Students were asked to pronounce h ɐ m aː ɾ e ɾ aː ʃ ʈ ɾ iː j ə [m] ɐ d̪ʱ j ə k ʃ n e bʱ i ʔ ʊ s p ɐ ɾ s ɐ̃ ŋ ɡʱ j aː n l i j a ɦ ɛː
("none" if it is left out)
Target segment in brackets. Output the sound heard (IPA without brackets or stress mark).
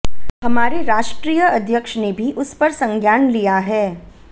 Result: none